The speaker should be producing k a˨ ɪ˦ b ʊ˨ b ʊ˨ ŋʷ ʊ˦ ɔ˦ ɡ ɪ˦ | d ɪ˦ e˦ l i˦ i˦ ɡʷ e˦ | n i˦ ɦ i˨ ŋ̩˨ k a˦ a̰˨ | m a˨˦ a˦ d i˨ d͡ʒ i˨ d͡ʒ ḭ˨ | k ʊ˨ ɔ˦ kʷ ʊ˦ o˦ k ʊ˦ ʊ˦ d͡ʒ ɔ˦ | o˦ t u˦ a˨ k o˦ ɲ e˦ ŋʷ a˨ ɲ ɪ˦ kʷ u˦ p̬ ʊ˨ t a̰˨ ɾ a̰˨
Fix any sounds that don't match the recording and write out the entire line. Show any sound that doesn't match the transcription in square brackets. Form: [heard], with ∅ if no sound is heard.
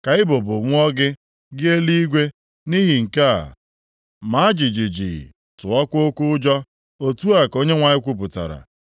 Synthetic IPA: k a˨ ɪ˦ b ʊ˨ b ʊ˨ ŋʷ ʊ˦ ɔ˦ ɡ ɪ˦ | [ɡ] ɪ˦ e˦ l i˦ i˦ ɡʷ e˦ | n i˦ ɦ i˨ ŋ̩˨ k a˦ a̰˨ | m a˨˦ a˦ [d͡ʒ] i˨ d͡ʒ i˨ d͡ʒ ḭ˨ | [t] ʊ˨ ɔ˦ kʷ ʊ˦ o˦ k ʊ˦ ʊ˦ d͡ʒ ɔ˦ | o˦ t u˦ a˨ k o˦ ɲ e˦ ŋʷ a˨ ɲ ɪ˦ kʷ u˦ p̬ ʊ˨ t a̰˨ ɾ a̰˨